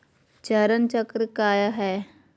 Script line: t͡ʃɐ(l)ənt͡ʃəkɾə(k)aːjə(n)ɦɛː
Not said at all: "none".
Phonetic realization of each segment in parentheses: ɾ, k, none

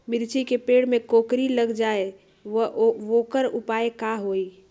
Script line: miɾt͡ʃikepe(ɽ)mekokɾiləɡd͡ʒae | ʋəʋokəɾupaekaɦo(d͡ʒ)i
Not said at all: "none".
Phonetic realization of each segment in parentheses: ɽ, none

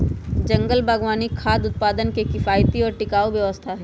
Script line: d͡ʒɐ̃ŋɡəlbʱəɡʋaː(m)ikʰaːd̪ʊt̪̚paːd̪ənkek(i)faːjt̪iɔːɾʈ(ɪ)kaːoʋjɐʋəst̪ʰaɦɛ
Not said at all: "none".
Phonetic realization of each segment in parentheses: n, ɪ, ɪ

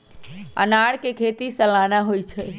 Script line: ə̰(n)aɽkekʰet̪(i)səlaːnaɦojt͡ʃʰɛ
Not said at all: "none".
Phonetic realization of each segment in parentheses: n, i

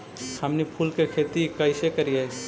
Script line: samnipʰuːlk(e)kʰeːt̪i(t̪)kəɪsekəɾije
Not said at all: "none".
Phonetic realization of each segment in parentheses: e, none

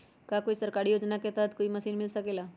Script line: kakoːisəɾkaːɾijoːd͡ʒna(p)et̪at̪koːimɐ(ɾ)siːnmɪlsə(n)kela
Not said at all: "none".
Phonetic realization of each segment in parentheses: k, none, none

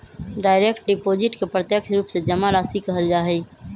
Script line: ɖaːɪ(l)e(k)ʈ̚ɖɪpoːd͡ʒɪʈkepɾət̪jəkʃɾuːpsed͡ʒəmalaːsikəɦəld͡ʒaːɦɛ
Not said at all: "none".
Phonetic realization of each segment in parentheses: ɾ, k

